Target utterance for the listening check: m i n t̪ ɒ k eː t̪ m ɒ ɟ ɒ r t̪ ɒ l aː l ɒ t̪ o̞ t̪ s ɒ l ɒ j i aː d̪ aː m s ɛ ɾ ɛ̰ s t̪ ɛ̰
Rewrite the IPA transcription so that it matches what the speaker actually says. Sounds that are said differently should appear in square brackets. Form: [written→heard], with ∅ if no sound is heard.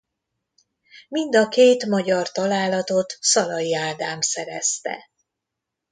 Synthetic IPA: m i n [t̪→d̪] ɒ k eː t̪ m ɒ ɟ ɒ r t̪ ɒ l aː l ɒ t̪ o̞ t̪ s ɒ l ɒ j i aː d̪ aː m s ɛ ɾ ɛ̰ s t̪ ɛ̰